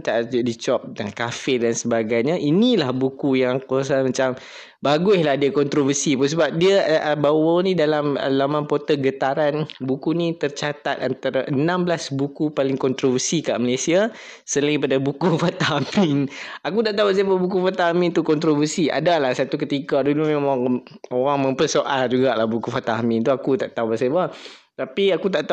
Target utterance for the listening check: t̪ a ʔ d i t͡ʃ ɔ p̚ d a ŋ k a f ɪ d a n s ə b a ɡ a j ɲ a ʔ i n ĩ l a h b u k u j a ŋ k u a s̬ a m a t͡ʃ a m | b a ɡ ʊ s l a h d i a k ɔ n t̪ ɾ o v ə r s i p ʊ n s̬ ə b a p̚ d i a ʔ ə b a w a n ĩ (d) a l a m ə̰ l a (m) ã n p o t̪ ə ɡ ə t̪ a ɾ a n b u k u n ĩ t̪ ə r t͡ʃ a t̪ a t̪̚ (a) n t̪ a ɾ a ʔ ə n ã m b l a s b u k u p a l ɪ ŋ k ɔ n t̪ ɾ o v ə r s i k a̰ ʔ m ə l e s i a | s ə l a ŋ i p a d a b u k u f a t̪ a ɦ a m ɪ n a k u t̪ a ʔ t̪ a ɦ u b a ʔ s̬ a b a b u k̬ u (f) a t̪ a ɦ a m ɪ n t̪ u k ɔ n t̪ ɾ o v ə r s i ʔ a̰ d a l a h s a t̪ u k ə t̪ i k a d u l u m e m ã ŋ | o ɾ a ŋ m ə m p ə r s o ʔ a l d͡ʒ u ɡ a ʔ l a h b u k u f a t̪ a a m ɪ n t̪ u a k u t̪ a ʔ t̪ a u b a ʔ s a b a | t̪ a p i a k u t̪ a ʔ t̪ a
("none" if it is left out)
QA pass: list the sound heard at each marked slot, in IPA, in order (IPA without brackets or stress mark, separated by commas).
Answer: d, m, a, f